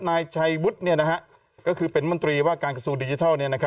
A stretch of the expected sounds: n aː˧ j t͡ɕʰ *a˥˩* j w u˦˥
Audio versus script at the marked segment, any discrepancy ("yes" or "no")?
yes